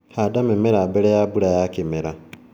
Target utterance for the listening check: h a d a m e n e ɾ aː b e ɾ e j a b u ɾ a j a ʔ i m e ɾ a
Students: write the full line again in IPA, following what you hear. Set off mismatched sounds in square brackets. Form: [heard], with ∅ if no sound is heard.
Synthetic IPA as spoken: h a d a m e [m] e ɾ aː b e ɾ e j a b u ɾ a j a [k] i m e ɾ a